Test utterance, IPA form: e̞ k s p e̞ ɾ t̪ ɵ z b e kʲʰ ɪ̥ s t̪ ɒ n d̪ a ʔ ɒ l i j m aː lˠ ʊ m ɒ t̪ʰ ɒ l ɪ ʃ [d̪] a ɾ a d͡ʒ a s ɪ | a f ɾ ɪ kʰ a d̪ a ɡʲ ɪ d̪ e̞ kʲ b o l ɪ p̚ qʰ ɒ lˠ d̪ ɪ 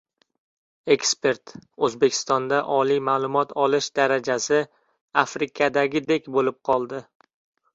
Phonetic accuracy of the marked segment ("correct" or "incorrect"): correct